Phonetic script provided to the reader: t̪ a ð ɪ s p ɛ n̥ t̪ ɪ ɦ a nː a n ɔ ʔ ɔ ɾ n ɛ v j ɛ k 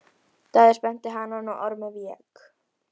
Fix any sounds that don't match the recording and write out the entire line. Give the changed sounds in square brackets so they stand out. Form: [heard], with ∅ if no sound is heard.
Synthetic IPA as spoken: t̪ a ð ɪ s p ɛ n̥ t̪ ɪ ɦ a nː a n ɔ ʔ ɔ ɾ [m] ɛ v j ɛ k